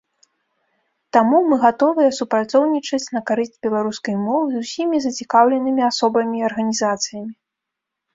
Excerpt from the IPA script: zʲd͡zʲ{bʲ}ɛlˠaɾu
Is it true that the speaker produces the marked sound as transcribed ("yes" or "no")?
yes